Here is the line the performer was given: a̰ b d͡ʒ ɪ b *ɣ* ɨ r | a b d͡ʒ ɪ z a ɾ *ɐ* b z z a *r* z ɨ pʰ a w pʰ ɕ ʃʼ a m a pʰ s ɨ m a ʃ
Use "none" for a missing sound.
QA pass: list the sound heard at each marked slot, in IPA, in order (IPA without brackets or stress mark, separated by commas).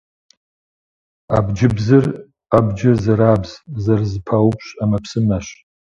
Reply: z, a, r